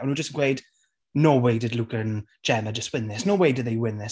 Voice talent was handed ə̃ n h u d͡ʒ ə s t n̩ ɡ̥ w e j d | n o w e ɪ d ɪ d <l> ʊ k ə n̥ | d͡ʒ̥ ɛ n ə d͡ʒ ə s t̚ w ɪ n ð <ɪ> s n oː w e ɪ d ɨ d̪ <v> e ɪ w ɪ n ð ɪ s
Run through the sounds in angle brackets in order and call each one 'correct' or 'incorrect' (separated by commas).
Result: correct, correct, incorrect